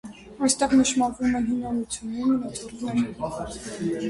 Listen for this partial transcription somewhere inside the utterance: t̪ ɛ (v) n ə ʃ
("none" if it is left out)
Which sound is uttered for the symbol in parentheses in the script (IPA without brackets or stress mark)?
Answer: ʁ